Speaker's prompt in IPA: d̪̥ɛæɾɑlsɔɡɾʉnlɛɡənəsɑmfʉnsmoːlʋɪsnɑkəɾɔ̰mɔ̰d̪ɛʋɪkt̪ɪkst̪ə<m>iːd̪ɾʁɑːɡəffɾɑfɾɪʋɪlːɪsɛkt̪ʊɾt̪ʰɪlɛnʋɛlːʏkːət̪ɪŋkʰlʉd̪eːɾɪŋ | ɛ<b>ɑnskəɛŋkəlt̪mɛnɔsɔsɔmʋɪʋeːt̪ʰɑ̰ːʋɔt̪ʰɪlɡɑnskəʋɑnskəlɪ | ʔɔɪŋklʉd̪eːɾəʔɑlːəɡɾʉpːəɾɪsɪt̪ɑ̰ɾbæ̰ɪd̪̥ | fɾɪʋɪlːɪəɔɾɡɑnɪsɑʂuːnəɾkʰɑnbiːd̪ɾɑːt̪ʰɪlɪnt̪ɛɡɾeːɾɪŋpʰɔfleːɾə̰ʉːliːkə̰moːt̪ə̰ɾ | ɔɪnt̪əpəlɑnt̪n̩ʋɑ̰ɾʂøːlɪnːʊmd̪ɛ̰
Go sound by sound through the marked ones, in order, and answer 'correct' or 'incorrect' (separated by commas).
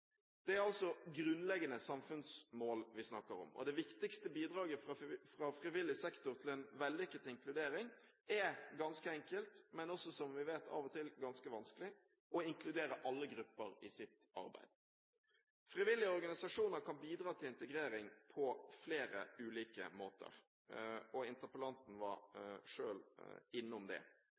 incorrect, incorrect